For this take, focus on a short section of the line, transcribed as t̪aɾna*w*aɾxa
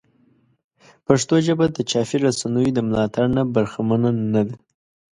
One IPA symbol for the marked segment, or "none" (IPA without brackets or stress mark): b